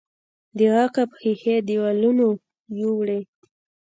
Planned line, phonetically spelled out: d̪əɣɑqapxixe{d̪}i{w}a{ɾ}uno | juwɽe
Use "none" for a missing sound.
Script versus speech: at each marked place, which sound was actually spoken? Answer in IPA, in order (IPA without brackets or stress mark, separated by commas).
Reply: d̪, w, l